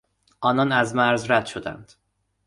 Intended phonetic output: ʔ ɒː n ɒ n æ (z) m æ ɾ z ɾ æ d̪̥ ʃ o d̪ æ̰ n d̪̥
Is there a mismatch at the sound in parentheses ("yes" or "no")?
no